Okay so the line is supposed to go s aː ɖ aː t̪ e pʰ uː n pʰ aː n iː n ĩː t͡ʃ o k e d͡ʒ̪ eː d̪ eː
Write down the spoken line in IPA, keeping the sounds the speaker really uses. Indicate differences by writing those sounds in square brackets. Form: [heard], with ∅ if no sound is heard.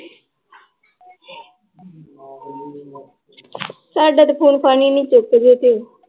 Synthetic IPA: s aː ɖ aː t̪ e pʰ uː n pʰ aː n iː n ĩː t͡ʃ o k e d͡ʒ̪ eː [t̪] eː